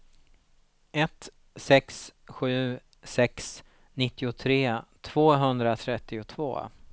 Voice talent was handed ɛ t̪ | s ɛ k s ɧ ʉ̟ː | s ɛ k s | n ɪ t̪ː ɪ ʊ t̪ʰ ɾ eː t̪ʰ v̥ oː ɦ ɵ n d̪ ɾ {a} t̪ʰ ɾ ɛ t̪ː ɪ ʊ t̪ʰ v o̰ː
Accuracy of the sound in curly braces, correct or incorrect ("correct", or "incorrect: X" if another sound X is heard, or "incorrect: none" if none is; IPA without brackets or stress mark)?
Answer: correct